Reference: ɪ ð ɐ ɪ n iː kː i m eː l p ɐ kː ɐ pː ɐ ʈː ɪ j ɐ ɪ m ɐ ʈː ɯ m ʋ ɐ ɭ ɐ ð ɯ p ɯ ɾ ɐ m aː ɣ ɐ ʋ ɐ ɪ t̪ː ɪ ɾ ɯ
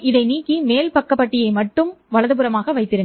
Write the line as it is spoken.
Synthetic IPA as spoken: ɪ ð ɐ ɪ n iː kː i m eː l p ɐ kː ɐ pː ɐ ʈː ɪ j ɐ ɪ m ɐ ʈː ɯ m ʋ ɐ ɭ ɐ ð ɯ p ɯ ɾ ɐ m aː ɣ ɐ ʋ ɐ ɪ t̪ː ɪ ɾ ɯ

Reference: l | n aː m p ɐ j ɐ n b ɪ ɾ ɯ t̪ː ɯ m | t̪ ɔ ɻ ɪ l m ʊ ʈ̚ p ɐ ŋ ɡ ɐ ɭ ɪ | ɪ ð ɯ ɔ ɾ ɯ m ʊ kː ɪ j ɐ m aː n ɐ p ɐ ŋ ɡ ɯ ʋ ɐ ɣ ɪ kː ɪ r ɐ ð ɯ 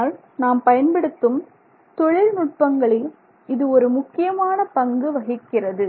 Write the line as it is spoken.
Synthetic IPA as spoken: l | n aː m p ɐ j ɐ n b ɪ ɽ ɯ t̪ː ɯ m | t̪ ɔ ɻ ɪ l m ʊ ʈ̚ p ɐ ŋ ɡ ɐ ɭ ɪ | ɪ ð ɯ ɔ ɾ ɯ m ʊ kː ɪ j ɐ m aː n ɐ p ɐ ŋ ɡ ɯ ʋ ɐ ɣ ɪ kː ɪ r ɐ ð ɯ

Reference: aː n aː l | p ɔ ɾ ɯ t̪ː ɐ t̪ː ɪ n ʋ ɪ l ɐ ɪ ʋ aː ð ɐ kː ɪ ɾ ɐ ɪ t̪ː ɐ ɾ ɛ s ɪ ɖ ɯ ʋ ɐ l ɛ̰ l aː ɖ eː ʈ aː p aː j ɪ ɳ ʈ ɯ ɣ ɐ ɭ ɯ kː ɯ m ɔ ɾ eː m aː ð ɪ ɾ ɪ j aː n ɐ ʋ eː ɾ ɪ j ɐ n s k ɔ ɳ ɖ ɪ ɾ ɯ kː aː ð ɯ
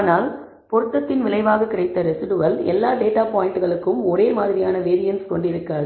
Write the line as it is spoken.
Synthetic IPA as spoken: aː n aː l | p ɔ ɾ ɯ t̪ː ɐ t̪ː ɪ n ʋ ɪ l ɐ ɪ ʋ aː ɣ ɐ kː ɪ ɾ ɐ ɪ t̪ː ɐ ɾ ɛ s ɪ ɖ ɯ ʋ ɐ l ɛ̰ lː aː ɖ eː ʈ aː p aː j ɪ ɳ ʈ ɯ ɣ ɐ ɭ ɯ kː ɯ m ɔ ɾ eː m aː ð ɪ ɾ ɪ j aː n ɐ ʋ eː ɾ ɪ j ɐ n s k ɔ ɳ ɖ ɪ ɾ ɯ kː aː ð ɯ

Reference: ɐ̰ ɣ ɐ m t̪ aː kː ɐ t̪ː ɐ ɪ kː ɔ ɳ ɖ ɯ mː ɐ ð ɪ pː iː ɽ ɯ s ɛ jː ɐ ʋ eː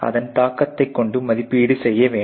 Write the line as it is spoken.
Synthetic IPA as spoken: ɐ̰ ð ɐ n t̪ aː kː ɐ t̪ː ɐ ɪ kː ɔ ɳ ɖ ɯ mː ɐ ð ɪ pː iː ɽ ɯ s ɛ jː ɐ ʋ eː

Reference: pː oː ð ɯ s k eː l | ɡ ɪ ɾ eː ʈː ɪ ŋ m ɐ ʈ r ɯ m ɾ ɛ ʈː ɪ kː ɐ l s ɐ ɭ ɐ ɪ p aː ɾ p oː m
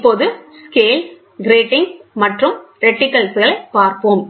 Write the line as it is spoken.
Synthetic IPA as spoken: pː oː ð ɯ s k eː l | ɡ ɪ ɾ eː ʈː ɪ ŋ m ɐ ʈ r ɯ m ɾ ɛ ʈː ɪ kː ɐ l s ɐ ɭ ɐ ɪ p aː ɾ p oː m

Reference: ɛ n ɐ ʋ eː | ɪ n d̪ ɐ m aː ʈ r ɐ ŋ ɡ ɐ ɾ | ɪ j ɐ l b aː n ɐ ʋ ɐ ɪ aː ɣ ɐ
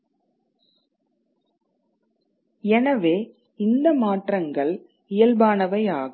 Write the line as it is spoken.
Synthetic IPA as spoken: ɛ n ɐ ʋ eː | ɪ n d̪ ɐ m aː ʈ r ɐ ŋ ɡ ɐ ɭ | ɪ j ɐ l b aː n ɐ ʋ ɐ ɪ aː ɣ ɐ

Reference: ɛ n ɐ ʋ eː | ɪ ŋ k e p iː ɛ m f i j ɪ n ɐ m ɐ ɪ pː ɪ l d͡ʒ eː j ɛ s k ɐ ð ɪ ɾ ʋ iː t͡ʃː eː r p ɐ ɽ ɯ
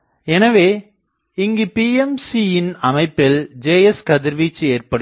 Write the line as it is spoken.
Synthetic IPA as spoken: ɛ n ɐ ʋ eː | ɪ ŋ ɡ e p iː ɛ m s i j ɪ n ɐ m ɐ ɪ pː ɪ l d͡ʒ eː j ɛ s k ɐ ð ɪ ɾ ʋ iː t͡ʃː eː r p ɐ ɽ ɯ

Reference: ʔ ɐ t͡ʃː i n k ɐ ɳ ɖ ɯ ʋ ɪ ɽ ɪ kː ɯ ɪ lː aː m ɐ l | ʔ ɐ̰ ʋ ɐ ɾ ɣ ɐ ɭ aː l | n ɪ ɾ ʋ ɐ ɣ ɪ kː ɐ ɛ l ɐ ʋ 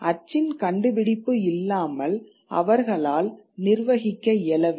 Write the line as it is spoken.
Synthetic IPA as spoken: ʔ ɐ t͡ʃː ɪ n k ɐ ɳ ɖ ɯ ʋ ɪ ɽ ɪ pː ɯ ɪ lː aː m ɐ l | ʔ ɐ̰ ʋ ɐ ɾ ɣ ɐ ɭ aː l | n ɪ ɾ ʋ ɐ ɣ ɪ kː ɐ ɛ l ɐ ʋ

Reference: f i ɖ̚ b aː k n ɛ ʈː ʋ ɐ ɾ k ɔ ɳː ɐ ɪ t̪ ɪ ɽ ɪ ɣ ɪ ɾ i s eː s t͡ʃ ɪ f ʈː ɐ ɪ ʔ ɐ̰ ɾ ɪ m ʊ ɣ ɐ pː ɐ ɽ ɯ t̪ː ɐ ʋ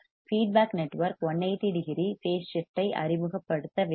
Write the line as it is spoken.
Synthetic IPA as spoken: f iː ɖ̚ b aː k n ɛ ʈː ʋ ɐ ɾ k ɔ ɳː ɐ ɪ t̪ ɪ ɽ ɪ ɣ ɪ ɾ i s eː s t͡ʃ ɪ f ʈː ɐ ɪ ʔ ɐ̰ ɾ ɪ m ɯ ɣ ɐ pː ɐ ɽ ɯ t̪ː ɐ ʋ

